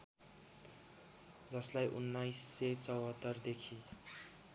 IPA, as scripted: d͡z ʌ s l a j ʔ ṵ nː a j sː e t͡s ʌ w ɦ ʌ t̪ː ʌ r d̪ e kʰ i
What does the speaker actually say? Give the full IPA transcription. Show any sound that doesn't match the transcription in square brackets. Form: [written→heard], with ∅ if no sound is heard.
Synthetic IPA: d͡z ʌ s l a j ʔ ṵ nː a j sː e t͡s ʌ w ɦ ʌ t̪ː ʌ r d̪ e kʰ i